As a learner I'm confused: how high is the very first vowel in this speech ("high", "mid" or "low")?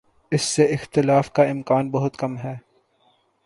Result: high